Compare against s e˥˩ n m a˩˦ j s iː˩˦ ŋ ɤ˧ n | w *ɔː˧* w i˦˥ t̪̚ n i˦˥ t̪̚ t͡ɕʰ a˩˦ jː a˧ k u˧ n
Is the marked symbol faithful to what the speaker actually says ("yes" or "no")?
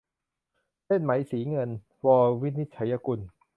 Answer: yes